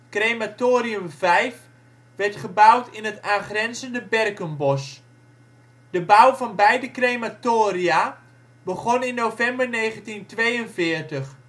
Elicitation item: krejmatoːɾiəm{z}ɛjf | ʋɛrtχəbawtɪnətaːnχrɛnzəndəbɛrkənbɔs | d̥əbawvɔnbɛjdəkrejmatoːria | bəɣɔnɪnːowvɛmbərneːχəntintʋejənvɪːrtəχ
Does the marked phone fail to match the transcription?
yes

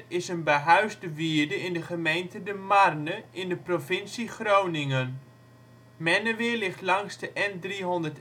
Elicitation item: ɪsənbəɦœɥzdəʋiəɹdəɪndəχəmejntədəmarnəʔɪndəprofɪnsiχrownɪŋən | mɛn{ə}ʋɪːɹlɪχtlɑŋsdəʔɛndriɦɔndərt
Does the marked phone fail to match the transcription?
no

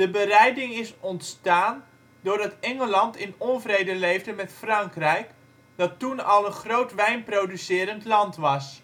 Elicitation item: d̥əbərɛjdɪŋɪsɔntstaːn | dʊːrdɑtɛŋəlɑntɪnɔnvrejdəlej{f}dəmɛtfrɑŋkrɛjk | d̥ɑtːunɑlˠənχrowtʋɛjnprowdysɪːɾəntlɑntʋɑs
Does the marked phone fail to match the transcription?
yes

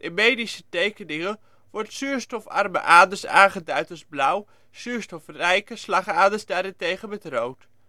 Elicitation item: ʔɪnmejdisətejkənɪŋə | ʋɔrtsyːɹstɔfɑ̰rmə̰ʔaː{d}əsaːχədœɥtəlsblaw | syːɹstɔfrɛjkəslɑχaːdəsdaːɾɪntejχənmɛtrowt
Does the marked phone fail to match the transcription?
no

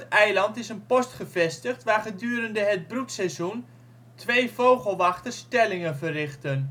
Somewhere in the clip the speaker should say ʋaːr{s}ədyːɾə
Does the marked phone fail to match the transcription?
yes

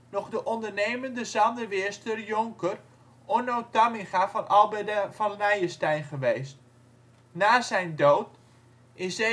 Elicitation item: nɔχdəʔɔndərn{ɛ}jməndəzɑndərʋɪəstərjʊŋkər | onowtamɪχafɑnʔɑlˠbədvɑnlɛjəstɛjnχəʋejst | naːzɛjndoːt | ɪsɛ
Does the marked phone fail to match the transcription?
yes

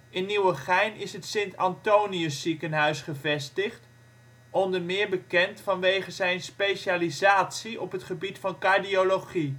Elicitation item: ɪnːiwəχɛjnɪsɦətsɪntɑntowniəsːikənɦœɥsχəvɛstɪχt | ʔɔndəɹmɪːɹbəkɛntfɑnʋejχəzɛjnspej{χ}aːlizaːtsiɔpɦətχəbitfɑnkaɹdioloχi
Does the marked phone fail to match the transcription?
yes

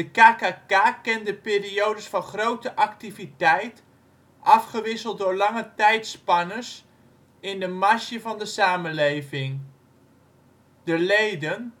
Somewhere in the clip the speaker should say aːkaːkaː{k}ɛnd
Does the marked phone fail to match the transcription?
no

